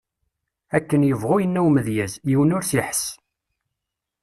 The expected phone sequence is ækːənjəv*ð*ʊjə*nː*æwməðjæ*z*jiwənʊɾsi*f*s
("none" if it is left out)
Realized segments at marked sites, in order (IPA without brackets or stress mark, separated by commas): ʁ, nː, z, ħ